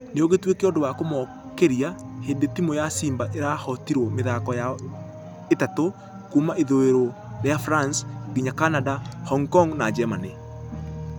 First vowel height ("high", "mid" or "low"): mid